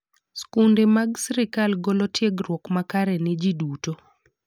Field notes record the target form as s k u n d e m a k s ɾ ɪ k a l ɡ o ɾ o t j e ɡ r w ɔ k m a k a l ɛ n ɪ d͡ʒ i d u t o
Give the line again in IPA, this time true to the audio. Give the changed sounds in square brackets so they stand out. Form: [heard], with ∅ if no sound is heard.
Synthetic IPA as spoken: s k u n d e m a [ɡ] s ɾ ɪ k a l ɡ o [l] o t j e ɡ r w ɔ k m a k a [ɾ] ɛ n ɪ d͡ʒ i d u t o